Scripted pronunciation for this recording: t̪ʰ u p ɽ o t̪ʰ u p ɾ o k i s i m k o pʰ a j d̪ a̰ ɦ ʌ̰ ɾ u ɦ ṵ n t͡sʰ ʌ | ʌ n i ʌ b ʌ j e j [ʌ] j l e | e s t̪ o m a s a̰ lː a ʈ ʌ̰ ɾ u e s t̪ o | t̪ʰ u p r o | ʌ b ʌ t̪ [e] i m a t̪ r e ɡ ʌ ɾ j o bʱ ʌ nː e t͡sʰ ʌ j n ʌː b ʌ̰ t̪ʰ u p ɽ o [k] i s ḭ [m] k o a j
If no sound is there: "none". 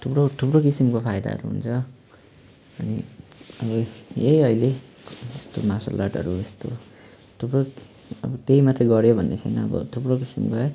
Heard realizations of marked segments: ʌ, e, k, m

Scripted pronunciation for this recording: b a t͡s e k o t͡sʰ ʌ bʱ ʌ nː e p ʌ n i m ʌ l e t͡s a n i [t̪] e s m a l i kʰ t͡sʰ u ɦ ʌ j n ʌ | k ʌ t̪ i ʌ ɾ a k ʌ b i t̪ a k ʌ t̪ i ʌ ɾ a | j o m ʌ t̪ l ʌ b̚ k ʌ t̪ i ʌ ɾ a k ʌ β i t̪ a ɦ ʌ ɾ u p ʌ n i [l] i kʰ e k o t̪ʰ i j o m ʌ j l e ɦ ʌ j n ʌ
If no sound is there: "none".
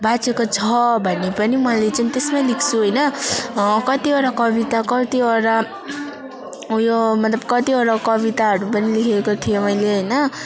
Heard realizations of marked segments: t̪, l

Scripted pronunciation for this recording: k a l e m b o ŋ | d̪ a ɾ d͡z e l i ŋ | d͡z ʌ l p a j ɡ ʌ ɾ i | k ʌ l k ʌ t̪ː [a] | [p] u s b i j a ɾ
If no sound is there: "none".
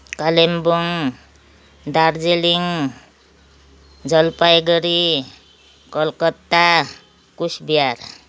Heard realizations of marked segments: a, k

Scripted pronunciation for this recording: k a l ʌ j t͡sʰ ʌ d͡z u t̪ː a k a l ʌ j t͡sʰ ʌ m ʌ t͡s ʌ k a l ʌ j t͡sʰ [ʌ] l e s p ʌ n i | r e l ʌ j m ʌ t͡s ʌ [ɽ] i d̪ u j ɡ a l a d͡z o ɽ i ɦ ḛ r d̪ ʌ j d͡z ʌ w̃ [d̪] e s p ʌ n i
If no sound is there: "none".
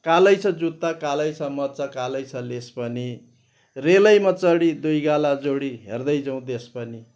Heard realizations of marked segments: ʌ, ɽ, d̪

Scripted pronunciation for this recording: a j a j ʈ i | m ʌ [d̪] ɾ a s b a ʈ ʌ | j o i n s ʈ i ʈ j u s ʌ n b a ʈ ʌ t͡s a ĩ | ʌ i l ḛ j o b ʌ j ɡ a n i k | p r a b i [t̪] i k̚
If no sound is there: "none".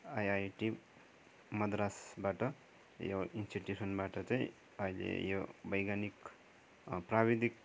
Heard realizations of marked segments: d̪, d̪

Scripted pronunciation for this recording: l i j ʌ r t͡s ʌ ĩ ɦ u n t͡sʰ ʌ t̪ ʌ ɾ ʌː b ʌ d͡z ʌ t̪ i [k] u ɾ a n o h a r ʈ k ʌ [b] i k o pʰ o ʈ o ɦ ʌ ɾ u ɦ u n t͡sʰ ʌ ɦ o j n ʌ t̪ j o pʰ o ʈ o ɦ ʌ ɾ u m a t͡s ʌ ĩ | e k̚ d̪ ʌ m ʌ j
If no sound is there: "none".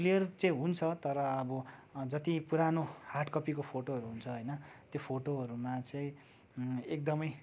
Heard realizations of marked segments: p, p

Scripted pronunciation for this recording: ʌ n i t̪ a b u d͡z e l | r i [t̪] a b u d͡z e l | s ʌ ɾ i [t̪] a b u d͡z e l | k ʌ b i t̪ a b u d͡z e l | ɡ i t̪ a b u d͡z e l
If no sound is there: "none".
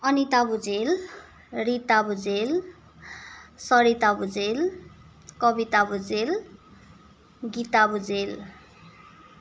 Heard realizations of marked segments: t̪, t̪

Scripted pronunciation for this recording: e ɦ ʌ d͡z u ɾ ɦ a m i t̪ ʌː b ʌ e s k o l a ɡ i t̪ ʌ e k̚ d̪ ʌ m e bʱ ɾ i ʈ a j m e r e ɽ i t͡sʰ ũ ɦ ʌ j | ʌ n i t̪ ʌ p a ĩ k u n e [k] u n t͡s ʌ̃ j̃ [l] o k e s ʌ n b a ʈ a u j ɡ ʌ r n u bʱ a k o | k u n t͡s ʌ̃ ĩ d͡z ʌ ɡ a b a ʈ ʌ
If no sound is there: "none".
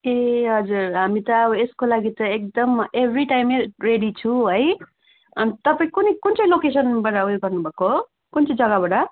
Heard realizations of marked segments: k, l

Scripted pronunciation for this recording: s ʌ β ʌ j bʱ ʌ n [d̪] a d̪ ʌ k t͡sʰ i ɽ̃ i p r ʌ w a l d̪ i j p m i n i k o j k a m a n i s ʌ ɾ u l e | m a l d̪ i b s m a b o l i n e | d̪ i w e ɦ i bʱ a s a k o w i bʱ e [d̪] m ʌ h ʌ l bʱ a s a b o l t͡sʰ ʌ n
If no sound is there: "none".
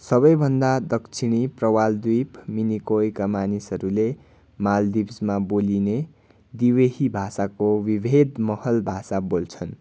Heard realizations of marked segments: d̪, d̪

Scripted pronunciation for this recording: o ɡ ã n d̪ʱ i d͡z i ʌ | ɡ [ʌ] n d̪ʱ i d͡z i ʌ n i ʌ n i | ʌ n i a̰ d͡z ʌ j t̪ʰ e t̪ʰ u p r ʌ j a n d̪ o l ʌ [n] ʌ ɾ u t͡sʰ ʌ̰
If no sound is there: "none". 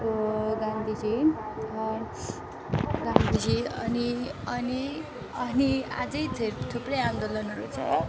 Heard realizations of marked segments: a, n

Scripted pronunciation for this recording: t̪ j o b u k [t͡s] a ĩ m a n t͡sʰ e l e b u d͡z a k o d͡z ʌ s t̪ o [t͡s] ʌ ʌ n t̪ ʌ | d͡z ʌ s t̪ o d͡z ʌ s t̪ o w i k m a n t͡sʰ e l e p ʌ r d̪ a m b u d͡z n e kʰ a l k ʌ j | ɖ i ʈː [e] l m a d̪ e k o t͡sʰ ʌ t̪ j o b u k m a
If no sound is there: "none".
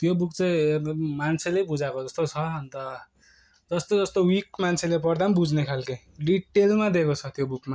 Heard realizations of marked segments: t͡s, t͡sʰ, e

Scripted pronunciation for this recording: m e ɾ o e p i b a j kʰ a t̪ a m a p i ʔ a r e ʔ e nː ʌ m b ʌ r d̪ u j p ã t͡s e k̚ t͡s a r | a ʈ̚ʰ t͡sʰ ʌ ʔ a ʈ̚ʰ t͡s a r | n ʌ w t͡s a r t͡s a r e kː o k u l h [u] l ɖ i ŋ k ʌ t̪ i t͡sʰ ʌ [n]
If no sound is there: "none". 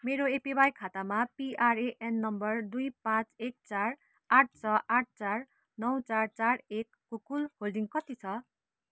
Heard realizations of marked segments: o, none

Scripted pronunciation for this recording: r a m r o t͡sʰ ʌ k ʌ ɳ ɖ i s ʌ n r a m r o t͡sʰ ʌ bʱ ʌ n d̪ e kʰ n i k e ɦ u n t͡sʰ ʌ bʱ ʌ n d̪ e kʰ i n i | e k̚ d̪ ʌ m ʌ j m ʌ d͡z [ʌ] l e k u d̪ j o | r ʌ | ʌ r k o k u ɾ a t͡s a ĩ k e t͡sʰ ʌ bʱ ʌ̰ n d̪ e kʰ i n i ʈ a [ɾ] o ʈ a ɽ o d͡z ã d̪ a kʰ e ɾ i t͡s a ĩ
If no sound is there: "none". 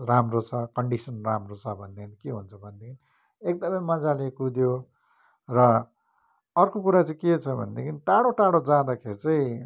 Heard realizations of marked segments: a, ɽ

